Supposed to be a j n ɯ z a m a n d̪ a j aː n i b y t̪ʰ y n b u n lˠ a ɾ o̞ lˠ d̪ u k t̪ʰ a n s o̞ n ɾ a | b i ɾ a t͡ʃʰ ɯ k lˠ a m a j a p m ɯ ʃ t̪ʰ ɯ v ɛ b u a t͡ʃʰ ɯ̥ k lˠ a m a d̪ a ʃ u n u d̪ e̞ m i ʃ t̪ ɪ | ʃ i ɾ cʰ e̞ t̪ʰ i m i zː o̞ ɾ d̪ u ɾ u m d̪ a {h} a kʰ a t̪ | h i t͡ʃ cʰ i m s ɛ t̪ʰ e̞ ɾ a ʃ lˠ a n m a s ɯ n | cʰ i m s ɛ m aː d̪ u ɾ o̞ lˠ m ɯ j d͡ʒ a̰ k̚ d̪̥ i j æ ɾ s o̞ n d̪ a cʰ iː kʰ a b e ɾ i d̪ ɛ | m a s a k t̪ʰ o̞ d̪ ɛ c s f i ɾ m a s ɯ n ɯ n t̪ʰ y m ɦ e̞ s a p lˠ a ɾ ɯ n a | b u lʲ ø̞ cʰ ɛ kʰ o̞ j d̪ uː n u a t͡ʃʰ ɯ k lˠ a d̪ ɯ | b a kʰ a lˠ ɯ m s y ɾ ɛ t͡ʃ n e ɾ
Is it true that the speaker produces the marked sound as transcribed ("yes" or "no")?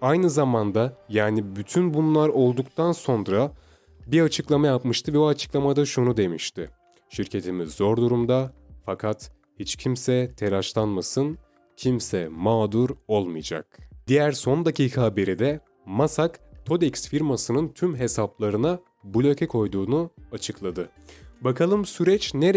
no